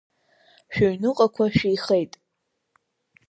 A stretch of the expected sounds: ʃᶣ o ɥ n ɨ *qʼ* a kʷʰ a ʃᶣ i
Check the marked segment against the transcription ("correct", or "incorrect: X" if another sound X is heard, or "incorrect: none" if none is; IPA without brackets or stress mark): correct